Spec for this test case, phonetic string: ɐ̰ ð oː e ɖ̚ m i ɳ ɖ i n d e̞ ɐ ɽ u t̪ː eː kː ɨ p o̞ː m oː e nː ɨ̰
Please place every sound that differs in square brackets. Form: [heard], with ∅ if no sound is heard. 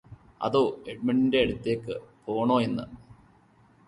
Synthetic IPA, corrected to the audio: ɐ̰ ð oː e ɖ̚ m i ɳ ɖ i n d e̞ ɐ ɽ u t̪ː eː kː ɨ p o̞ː [ɳ] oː e nː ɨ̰